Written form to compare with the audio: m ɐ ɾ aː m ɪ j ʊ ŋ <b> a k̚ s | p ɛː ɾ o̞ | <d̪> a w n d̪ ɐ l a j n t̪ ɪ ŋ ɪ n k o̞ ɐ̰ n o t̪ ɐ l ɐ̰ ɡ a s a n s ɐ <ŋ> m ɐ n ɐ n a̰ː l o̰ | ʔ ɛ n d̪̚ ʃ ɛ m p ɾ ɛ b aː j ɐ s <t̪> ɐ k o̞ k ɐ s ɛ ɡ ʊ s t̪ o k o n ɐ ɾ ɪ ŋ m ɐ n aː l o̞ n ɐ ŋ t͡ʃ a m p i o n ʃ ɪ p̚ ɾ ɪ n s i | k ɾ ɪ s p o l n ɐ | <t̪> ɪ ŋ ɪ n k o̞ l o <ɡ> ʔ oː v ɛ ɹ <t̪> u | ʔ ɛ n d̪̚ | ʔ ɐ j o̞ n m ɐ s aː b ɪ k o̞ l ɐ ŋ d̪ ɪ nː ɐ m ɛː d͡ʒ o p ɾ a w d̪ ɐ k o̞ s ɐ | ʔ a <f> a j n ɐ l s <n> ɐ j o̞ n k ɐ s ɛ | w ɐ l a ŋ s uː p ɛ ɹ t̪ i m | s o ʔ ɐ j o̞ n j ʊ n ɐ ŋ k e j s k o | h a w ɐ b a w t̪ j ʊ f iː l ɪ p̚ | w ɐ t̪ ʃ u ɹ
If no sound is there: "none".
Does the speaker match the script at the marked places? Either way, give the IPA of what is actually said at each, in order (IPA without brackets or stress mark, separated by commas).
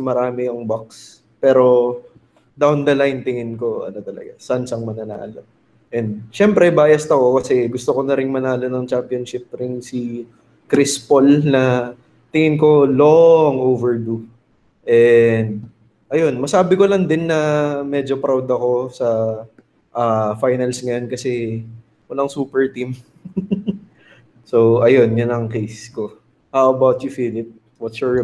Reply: b, d̪, ŋ, t̪, t̪, ŋ, d̪, f, ŋ